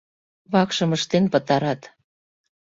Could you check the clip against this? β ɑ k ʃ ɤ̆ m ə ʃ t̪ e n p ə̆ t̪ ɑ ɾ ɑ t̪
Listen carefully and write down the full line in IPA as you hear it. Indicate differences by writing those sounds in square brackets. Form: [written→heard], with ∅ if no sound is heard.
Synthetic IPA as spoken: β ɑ k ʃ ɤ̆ m ə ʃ t̪ e n p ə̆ t̪ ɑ ɾ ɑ t̪